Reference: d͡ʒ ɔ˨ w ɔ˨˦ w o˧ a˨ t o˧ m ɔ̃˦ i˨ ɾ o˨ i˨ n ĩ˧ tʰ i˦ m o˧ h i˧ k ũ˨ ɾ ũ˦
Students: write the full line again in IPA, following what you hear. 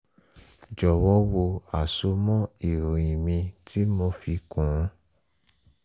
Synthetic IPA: d͡ʒ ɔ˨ w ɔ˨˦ w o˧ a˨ s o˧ m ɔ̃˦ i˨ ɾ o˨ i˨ m ĩ˧ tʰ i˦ m o˧ f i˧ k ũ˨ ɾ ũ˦